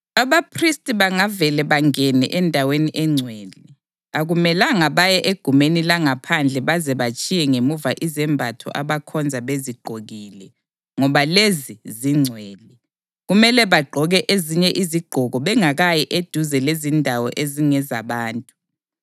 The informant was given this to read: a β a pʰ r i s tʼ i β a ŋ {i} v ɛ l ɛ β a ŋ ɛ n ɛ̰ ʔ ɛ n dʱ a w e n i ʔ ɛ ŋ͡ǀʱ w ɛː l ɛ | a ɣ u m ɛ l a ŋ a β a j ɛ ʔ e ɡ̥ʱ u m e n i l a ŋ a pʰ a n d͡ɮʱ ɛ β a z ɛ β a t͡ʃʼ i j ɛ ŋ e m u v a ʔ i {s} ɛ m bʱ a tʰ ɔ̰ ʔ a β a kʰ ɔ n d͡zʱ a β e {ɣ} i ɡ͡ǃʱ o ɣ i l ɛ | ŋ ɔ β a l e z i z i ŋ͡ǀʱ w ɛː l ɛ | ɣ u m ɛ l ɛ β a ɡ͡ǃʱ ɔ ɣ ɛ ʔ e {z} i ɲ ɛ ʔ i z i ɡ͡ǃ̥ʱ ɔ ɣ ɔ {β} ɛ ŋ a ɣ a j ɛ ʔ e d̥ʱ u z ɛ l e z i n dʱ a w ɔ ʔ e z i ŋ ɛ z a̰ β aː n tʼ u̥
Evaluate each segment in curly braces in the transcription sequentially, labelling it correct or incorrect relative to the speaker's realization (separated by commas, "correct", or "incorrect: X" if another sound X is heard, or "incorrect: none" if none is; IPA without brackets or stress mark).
incorrect: a, incorrect: z, incorrect: z, correct, correct